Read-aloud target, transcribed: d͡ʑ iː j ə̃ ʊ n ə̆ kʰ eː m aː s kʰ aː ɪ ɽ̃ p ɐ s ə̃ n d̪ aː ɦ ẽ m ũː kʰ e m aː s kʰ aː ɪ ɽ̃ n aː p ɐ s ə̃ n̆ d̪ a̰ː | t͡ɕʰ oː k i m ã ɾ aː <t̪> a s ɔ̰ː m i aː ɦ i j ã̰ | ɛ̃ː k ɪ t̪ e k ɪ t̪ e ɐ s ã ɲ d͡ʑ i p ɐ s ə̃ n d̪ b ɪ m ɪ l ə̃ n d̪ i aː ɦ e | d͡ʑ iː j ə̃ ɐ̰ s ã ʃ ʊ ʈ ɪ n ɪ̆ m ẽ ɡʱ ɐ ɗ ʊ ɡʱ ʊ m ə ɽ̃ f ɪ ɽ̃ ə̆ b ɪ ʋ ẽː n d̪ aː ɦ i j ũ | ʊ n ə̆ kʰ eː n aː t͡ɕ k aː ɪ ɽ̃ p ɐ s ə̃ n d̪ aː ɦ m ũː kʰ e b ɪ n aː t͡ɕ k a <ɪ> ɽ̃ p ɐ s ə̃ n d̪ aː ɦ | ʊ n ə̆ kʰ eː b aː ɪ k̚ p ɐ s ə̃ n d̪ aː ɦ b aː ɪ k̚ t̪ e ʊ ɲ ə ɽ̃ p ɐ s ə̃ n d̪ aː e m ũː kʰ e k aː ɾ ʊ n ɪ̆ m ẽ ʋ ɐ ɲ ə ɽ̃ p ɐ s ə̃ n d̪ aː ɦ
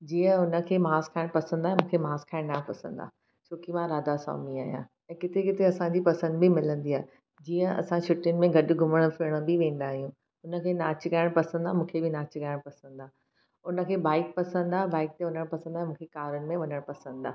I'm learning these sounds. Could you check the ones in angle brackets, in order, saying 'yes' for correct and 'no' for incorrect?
no, yes

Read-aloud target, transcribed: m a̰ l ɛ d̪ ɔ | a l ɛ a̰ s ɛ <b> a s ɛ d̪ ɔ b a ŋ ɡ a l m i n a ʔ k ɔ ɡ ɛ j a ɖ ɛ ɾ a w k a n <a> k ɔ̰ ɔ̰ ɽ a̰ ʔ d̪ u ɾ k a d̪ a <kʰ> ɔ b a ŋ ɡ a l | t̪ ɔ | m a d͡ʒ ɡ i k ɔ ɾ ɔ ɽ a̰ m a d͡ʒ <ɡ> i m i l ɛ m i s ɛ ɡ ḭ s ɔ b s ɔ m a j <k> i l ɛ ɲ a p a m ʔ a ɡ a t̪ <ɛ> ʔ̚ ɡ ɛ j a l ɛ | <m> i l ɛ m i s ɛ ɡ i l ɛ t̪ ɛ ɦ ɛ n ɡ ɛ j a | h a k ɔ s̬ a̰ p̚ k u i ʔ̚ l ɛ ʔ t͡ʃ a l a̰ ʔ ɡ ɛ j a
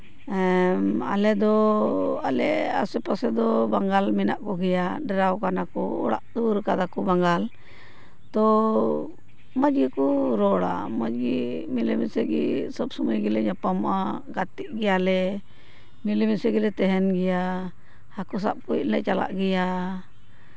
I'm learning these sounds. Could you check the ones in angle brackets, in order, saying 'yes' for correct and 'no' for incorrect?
no, yes, no, yes, no, no, yes

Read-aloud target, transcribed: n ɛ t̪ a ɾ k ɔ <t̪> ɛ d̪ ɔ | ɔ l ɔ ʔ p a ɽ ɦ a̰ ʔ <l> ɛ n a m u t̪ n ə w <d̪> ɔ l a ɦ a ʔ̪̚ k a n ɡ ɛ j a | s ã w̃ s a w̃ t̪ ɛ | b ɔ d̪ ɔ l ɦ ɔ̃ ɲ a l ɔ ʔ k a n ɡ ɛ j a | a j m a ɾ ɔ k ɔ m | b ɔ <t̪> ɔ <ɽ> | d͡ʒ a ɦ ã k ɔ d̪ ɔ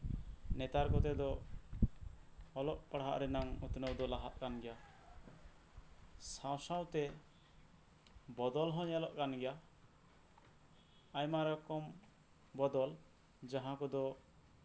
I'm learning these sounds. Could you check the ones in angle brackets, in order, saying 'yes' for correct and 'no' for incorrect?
yes, no, yes, no, no

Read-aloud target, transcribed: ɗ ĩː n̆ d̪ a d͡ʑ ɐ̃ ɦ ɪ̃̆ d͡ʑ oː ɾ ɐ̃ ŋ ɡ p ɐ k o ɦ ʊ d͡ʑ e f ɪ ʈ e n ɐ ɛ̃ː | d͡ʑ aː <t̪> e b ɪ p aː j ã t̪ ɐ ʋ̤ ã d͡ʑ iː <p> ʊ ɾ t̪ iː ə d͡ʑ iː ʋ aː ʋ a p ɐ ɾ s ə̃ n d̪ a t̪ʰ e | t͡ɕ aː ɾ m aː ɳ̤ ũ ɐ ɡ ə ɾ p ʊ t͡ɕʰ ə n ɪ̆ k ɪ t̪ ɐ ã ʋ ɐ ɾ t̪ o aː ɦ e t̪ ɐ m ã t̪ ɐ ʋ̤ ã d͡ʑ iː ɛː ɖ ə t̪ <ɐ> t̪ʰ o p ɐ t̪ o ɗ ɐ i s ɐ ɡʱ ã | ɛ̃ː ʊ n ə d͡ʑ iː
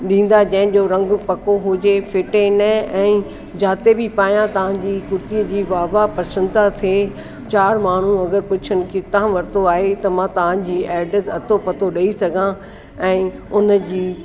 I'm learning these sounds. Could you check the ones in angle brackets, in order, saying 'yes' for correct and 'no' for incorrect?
yes, no, yes

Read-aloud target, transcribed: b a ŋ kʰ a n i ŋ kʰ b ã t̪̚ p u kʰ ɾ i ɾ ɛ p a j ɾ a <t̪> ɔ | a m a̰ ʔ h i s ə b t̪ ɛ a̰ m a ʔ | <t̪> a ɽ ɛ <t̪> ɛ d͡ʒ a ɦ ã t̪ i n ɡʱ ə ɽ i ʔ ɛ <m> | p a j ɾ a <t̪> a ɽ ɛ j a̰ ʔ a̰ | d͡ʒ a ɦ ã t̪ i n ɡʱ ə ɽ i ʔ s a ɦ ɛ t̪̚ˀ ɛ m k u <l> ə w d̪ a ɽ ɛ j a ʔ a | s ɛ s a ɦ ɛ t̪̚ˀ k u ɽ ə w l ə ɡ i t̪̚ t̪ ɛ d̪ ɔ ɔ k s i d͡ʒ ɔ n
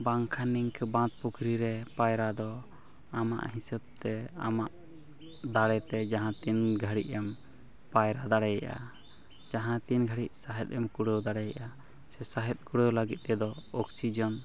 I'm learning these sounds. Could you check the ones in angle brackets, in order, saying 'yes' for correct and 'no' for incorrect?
no, no, yes, yes, no, no

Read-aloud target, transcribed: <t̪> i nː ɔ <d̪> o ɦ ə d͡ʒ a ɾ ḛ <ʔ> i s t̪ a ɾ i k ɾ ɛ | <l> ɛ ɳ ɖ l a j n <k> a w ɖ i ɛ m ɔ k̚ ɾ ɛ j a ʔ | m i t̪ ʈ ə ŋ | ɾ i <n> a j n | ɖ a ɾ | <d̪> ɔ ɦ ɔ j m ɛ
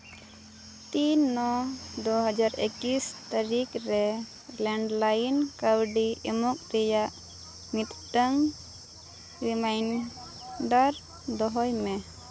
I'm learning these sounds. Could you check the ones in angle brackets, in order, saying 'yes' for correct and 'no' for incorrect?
yes, yes, no, yes, yes, no, yes

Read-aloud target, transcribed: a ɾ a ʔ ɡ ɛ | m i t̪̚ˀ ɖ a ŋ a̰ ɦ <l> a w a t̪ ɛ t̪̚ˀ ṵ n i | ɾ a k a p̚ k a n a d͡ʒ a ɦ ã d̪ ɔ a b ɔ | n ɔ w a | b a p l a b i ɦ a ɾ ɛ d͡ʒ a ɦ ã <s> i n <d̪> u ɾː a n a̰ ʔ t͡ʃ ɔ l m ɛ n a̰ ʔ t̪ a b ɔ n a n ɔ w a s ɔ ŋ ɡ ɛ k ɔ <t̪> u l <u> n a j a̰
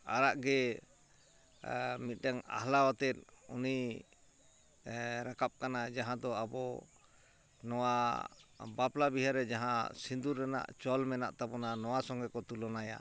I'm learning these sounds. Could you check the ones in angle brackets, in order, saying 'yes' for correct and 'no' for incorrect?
yes, yes, yes, yes, no

